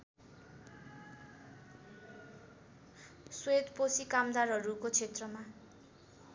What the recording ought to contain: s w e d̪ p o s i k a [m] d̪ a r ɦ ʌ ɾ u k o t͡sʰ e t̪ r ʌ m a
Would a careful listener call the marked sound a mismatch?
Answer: no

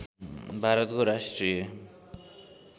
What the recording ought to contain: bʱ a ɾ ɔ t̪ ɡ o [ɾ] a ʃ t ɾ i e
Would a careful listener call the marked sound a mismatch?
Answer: no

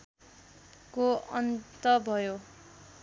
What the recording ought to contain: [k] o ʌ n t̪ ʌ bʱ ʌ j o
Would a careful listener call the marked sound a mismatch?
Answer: no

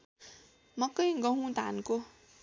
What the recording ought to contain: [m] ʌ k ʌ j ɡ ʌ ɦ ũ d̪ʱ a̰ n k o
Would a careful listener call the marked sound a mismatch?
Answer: no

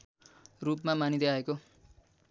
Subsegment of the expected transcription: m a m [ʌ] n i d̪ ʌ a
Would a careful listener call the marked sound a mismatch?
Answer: yes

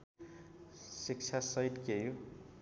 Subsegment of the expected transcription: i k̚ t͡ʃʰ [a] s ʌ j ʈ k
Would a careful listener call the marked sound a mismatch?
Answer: no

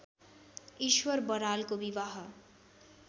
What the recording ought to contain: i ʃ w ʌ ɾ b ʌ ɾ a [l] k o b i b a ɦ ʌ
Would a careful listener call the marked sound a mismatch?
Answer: no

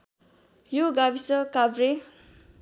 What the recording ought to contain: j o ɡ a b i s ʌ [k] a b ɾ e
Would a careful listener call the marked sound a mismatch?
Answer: no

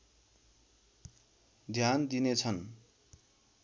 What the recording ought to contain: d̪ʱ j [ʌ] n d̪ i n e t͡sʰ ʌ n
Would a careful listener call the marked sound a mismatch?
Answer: yes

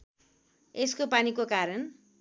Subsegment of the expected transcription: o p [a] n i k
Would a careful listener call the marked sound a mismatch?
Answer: no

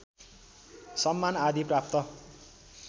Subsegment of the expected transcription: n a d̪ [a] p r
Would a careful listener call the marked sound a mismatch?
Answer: yes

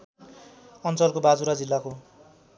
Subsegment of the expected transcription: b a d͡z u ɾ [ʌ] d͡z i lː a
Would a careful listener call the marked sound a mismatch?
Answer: yes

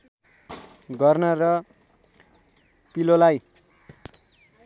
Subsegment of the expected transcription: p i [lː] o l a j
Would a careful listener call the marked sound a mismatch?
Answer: yes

